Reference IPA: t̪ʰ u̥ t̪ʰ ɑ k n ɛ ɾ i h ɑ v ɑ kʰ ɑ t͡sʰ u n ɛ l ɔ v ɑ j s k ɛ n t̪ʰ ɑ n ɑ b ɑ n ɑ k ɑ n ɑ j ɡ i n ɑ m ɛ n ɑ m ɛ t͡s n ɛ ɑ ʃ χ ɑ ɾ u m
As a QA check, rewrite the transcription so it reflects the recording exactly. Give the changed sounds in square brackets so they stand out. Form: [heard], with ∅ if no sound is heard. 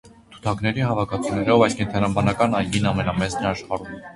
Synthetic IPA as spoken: t̪ʰ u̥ t̪ʰ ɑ k n ɛ ɾ i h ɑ v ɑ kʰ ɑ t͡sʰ u n ɛ [ɾ] ɔ v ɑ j s k ɛ n t̪ʰ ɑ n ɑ b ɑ n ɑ k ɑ n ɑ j ɡ i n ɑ m ɛ n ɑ m ɛ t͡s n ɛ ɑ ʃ χ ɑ ɾ u m